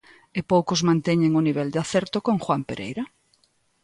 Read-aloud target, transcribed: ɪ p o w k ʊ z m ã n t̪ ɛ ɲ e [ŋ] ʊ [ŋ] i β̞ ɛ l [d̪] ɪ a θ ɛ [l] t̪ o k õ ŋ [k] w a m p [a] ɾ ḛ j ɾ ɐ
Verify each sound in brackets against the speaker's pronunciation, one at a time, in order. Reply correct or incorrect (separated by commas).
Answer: correct, incorrect, correct, incorrect, incorrect, incorrect